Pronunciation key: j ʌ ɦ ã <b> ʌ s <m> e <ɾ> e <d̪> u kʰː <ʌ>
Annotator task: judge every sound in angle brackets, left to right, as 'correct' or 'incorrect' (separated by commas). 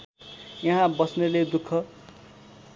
correct, incorrect, incorrect, correct, correct